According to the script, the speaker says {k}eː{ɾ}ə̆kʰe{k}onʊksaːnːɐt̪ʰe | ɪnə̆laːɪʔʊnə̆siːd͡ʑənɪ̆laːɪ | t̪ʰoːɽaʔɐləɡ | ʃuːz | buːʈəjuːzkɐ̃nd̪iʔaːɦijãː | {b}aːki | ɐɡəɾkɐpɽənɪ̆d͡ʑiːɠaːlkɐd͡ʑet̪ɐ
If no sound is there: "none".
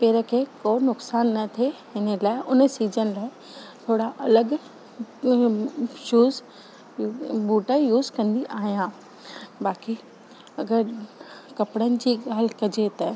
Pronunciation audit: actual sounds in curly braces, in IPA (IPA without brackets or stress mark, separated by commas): p, ɾ, k, b